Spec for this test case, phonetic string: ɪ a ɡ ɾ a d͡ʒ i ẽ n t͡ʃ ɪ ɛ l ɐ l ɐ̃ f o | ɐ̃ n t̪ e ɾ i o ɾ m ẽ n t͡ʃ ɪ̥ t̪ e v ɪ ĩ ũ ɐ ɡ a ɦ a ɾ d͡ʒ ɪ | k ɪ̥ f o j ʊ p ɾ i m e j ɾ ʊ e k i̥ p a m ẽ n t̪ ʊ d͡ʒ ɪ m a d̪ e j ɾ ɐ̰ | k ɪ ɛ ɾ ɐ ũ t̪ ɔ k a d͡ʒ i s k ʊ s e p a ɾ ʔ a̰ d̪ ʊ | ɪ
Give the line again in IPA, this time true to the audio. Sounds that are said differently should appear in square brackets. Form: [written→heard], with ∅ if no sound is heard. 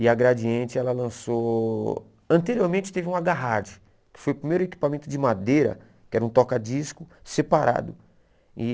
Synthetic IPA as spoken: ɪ a ɡ ɾ a d͡ʒ i ẽ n t͡ʃ ɪ ɛ l ɐ l ɐ̃ [f→s] o | ɐ̃ n t̪ e ɾ i o ɾ m ẽ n t͡ʃ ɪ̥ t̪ e v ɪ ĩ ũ [ɐ→a] ɡ a ɦ a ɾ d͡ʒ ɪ | k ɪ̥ f o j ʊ p ɾ i m e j ɾ ʊ e k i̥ p a m ẽ n t̪ ʊ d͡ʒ ɪ m a d̪ e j ɾ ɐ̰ | k ɪ ɛ ɾ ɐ ũ t̪ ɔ k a d͡ʒ i s k ʊ s e p a ɾ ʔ a̰ d̪ ʊ | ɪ